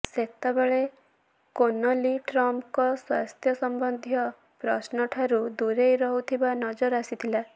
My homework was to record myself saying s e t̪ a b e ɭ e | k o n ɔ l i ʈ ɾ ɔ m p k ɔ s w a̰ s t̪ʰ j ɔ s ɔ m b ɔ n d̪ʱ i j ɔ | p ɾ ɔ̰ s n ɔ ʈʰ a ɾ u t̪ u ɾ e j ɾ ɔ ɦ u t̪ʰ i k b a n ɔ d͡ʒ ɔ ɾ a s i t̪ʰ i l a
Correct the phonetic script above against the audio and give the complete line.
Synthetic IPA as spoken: s e t̪ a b e ɭ e | k o n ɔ l i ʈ ɾ ɔ m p k ɔ s w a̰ s t̪ʰ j ɔ s ɔ m b ɔ n d̪ʱ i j ɔ | p ɾ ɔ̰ s n ɔ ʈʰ a ɾ u d̪ u ɾ e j ɾ ɔ ɦ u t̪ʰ i b a n ɔ d͡ʒ ɔ ɾ a s i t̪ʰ i l a